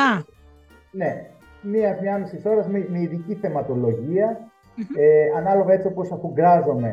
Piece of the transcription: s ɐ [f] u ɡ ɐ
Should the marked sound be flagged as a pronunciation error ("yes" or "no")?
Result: no